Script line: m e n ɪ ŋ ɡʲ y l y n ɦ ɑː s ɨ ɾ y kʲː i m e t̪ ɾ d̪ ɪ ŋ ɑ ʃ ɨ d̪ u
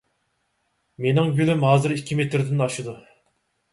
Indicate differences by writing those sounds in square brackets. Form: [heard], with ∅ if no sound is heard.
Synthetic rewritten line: m e n ɪ ŋ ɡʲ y l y [m] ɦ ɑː [z] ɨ ɾ [i] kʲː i m e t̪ ɾ d̪ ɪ [n] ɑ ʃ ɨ d̪ u